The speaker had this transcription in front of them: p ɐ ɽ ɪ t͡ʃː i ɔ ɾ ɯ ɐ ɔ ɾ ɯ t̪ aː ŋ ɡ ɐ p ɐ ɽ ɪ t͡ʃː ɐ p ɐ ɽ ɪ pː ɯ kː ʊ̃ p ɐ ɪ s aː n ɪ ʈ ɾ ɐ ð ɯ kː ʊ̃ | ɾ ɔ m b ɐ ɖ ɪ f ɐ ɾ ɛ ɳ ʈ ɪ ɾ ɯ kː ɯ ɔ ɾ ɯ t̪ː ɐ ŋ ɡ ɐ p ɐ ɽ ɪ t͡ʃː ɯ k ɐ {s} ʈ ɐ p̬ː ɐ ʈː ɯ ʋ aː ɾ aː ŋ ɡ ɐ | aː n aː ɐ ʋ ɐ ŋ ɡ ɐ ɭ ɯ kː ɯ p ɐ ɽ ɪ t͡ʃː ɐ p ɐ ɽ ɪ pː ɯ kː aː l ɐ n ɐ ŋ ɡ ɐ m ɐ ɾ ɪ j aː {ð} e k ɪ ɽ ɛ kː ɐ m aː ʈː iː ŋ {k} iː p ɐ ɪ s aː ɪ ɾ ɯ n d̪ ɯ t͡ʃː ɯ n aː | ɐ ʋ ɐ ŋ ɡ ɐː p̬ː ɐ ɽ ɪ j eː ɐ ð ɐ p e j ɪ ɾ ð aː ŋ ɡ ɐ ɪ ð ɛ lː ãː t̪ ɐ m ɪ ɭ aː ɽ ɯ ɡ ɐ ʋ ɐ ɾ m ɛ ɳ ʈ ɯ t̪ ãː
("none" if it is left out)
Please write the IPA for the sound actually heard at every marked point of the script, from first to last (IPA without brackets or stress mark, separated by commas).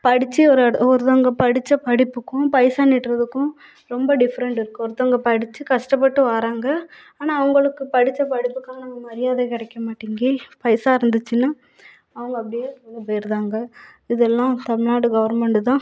ʂ, ð, ɡ